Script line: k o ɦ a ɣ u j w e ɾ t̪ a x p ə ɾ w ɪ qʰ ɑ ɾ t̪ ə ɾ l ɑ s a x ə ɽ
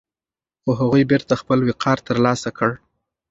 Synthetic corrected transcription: x o ɦ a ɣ u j b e ɾ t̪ a x p ə l w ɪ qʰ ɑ ɾ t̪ ə ɾ l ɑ s a k ə ɽ